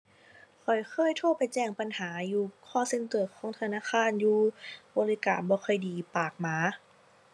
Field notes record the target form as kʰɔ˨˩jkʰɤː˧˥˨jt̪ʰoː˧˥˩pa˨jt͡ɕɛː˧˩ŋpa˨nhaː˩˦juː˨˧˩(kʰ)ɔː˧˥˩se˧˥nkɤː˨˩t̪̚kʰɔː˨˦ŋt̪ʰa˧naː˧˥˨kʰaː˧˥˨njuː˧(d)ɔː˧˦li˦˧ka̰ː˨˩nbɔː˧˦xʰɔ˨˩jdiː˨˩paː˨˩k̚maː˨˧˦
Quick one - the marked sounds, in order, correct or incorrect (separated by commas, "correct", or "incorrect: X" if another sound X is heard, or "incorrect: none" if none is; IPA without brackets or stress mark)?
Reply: correct, incorrect: b